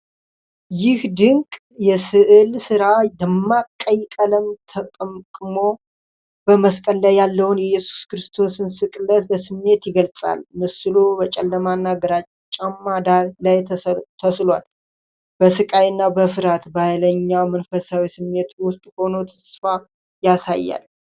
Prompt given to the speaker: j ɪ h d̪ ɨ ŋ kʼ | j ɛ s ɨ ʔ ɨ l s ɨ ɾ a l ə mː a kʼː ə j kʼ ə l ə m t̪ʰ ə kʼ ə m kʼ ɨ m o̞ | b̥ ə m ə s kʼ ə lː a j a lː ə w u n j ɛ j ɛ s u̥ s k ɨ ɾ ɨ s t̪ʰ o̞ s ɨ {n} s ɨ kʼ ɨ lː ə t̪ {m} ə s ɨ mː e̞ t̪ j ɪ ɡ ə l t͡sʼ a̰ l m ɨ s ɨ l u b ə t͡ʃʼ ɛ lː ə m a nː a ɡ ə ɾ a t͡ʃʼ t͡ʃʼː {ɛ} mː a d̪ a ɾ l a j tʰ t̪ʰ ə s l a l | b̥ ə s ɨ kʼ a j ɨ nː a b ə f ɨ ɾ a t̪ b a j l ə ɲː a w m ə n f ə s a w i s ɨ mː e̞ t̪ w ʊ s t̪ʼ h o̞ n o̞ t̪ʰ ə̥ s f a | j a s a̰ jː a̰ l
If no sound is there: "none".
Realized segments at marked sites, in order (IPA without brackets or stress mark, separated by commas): n, b, a